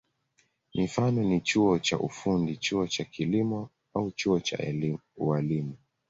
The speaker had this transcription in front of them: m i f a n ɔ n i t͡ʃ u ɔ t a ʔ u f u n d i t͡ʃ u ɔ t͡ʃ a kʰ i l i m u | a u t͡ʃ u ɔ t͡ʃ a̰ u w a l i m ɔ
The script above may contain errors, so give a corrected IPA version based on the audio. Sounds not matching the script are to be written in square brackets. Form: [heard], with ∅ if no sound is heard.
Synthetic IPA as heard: m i f a n ɔ n i t͡ʃ u ɔ [t͡ʃ] a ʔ u f u n d i t͡ʃ u ɔ t͡ʃ a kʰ i l i m [ɔ] | a u t͡ʃ u ɔ t͡ʃ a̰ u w a l i m [u]